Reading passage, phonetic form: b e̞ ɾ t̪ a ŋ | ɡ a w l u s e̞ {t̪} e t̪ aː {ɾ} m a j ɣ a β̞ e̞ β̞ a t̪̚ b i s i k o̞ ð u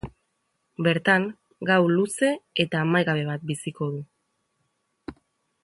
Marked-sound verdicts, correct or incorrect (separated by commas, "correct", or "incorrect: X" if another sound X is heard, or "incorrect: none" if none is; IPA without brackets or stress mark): incorrect: none, incorrect: none